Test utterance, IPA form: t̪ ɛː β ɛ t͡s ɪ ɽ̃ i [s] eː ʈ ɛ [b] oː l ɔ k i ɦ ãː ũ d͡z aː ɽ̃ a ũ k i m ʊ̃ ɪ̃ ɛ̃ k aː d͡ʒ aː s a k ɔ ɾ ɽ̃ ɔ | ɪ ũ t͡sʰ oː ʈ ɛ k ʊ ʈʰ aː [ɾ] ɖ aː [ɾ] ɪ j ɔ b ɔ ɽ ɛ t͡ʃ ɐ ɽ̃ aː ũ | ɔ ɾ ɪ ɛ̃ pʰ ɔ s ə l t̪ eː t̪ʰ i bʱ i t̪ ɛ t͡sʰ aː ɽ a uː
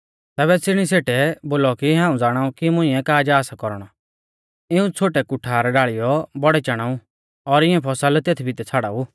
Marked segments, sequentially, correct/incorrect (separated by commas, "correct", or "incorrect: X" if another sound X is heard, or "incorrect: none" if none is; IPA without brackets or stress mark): correct, correct, correct, incorrect: ɭ